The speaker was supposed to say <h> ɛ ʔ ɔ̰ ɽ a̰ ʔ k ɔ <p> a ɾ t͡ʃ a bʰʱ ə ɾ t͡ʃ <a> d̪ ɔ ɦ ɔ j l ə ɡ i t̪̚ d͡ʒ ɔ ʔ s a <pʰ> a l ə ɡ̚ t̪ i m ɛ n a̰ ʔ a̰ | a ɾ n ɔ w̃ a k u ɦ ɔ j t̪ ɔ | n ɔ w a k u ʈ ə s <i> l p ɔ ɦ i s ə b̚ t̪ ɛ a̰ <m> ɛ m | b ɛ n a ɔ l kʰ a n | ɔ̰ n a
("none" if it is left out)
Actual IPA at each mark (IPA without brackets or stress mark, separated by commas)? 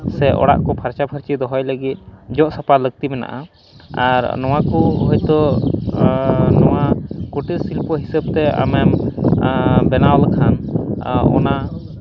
s, pʰ, i, p, i, m